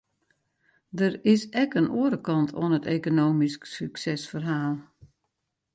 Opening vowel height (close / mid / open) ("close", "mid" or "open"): mid